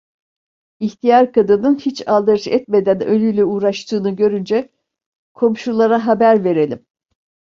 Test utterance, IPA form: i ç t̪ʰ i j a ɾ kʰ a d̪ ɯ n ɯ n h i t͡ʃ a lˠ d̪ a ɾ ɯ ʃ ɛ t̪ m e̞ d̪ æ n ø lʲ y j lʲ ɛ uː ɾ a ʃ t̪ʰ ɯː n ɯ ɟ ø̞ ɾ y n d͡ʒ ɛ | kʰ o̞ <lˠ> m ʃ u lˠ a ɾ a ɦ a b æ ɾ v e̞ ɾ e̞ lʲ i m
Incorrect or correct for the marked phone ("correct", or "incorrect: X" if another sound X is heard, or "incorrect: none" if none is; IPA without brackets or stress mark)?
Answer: incorrect: none